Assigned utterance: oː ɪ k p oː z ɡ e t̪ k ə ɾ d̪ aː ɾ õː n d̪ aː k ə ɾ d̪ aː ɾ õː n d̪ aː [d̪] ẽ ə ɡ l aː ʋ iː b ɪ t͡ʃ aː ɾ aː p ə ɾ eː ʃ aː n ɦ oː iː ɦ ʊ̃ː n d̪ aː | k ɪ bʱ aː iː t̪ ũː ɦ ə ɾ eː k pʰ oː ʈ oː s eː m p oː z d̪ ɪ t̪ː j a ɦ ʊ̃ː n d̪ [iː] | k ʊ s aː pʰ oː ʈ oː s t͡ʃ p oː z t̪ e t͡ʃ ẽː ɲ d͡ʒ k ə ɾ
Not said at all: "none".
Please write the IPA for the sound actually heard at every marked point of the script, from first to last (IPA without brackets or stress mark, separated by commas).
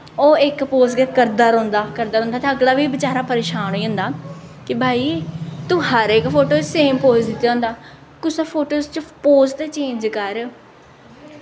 t̪, aː